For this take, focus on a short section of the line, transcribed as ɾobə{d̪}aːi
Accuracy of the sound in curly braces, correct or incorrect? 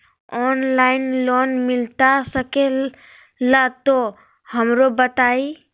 incorrect